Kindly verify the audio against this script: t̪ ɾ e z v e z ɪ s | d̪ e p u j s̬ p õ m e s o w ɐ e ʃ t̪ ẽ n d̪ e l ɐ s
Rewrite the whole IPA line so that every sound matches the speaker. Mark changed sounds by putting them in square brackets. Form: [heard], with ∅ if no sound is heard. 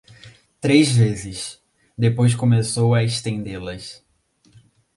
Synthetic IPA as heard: t̪ ɾ e z v e z ɪ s | d̪ e p [o] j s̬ [k] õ m e s o w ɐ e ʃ t̪ ẽ n d̪ e l ɐ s

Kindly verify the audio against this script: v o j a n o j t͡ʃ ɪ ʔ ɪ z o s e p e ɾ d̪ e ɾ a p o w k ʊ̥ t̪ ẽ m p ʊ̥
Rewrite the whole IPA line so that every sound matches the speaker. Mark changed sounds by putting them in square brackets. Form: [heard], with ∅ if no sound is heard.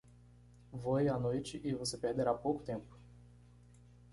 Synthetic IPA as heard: v o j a n o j t͡ʃ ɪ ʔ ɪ [v] o s e p e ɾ d̪ e ɾ a p o w k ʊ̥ t̪ ẽ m p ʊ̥

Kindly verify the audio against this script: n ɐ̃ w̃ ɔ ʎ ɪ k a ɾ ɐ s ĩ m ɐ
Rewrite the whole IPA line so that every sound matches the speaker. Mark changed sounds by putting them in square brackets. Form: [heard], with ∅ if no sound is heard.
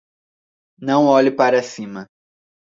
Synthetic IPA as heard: n ɐ̃ w̃ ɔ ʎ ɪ [p] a ɾ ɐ s ĩ m ɐ

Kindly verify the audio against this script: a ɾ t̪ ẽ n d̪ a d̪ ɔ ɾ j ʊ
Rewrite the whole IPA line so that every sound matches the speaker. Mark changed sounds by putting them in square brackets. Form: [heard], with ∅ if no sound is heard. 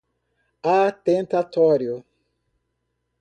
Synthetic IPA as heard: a [∅] t̪ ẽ n [t̪] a [t̪] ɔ ɾ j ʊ

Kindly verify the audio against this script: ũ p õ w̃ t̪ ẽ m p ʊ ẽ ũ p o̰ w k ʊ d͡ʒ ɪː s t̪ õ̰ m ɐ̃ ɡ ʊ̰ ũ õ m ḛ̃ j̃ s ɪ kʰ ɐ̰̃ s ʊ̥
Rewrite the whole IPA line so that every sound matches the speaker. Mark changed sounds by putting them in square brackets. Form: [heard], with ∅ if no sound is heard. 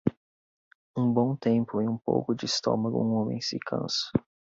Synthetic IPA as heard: ũ [b] õ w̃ t̪ ẽ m p ʊ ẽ ũ p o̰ w k ʊ d͡ʒ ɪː s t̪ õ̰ m [ɐ] ɡ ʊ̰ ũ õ m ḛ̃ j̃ s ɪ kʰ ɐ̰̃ s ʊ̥

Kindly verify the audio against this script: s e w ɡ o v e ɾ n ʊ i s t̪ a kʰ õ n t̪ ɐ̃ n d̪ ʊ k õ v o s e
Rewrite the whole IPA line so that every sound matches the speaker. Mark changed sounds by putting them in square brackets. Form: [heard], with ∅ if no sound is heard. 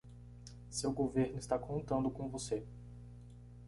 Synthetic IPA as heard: s e w ɡ o v e ɾ n ʊ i s t̪ a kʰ õ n t̪ ɐ̃ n d̪ ʊ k õ v o s e

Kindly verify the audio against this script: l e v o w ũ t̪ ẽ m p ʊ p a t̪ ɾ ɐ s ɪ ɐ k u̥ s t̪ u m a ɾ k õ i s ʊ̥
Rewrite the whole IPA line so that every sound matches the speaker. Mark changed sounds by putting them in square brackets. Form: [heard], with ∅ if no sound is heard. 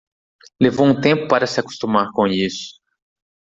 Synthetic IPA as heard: l e v o w ũ t̪ ẽ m p ʊ p a [∅] ɾ ɐ s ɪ [a] k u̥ s t̪ u m a ɾ k õ i s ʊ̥

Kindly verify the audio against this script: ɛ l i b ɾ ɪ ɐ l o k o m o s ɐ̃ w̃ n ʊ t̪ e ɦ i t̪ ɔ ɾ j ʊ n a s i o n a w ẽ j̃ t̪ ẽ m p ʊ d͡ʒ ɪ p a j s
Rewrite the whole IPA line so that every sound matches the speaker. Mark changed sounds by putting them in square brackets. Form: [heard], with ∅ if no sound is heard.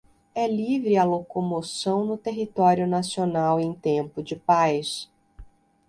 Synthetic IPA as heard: ɛ l i [v] ɾ ɪ ɐ l o k o m o s ɐ̃ w̃ n ʊ t̪ e ɦ i t̪ ɔ ɾ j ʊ n a s i o n a w ẽ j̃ t̪ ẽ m p ʊ d͡ʒ ɪ p a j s

